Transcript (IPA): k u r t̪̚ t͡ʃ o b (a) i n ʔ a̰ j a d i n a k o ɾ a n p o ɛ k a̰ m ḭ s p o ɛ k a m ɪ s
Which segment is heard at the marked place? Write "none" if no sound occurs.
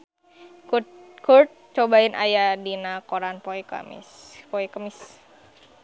a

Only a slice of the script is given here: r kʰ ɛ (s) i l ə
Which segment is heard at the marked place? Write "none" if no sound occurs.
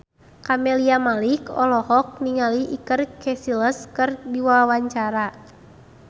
s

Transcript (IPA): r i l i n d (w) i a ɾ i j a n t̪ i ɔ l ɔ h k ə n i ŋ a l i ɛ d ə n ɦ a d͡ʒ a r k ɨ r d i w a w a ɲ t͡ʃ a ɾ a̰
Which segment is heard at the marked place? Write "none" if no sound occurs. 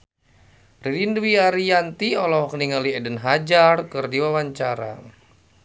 w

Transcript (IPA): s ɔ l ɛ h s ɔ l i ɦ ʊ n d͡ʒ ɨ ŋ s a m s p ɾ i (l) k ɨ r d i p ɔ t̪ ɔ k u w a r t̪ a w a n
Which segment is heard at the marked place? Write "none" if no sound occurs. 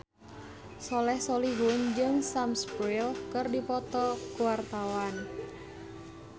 l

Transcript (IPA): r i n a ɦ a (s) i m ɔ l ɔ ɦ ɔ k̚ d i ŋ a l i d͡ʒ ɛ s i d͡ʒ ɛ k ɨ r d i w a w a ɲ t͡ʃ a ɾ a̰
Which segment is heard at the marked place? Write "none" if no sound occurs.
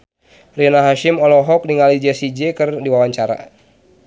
ʃ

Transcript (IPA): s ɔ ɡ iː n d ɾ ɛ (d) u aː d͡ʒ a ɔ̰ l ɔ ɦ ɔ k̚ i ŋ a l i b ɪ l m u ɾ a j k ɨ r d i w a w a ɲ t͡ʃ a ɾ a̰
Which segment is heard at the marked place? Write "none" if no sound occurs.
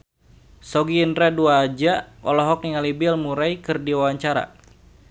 d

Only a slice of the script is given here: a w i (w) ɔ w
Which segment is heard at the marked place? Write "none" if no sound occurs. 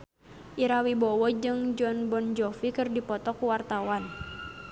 b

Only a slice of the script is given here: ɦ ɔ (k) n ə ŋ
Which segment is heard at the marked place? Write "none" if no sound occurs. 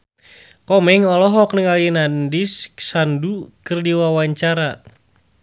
k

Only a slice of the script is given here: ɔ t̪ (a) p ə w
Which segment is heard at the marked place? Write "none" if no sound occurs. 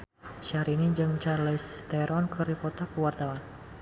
a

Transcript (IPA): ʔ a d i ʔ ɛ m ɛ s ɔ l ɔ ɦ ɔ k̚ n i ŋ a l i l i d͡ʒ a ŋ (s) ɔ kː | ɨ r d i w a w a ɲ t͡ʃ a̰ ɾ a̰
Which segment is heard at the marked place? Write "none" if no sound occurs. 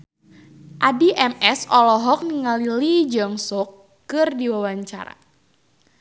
s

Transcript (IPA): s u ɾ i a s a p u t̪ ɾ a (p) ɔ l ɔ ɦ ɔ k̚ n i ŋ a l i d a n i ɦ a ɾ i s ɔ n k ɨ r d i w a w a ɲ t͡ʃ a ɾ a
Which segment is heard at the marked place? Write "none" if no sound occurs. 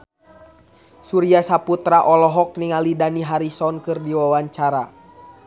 ʔ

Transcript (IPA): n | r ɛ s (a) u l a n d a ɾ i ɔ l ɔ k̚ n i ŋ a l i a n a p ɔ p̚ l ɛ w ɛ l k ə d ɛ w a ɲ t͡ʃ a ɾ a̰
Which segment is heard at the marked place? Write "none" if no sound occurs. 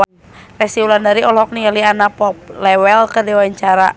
i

